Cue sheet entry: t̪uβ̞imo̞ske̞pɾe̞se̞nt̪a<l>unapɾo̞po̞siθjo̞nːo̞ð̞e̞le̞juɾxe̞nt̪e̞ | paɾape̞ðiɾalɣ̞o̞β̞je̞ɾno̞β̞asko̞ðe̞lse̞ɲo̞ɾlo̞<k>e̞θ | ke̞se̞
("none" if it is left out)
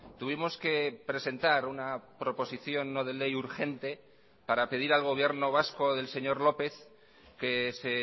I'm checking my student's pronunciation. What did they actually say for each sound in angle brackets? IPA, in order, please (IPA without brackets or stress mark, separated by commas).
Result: ɾ, p